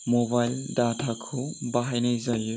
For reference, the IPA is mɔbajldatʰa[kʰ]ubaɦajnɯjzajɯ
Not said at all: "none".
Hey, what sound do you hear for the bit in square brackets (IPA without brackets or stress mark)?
kʰ